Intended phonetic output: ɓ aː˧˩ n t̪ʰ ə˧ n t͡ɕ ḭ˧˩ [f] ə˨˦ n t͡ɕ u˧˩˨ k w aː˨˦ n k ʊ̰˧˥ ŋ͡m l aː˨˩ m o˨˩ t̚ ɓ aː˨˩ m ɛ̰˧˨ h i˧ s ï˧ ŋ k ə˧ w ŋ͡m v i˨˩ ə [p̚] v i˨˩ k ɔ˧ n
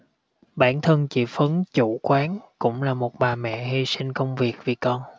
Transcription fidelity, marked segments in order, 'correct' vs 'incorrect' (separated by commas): correct, incorrect